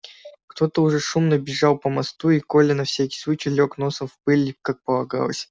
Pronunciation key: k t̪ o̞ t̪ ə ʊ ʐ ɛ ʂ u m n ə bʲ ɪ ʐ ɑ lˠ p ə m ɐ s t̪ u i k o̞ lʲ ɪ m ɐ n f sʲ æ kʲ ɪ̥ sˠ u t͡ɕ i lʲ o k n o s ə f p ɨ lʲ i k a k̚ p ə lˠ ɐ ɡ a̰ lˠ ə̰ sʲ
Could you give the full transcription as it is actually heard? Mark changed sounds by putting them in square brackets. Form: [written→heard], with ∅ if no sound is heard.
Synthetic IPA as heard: k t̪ o̞ t̪ ə ʊ ʐ ɛ ʂ u m n ə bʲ ɪ ʐ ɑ lˠ p ə m ɐ s t̪ u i k o̞ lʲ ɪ [m→n] ɐ [n→∅] f sʲ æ kʲ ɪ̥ sˠ u t͡ɕ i lʲ o k n o s ə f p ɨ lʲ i k a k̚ p ə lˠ ɐ ɡ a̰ lˠ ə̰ sʲ